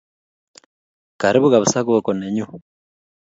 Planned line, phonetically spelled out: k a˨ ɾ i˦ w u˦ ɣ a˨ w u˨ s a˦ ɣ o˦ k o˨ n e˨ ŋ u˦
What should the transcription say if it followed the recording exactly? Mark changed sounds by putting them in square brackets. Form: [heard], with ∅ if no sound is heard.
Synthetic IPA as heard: k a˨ ɾ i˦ [β] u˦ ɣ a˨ [β] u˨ s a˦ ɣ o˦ k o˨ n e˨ [ɲ] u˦